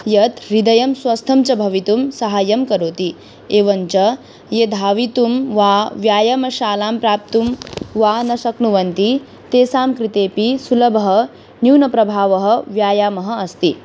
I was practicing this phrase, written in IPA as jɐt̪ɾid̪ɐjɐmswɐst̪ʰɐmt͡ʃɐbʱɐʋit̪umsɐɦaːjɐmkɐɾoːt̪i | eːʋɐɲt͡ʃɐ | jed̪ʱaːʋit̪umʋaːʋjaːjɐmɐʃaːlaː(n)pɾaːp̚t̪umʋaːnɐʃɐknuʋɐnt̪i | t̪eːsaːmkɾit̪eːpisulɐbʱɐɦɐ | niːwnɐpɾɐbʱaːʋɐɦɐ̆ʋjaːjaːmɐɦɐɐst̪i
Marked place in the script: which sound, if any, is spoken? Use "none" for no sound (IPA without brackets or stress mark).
m